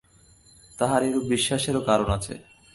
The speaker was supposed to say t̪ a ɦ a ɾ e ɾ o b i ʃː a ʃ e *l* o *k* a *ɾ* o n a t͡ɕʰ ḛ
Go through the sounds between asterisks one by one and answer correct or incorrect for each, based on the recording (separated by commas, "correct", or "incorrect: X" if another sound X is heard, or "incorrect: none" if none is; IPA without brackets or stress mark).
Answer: incorrect: ɾ, correct, correct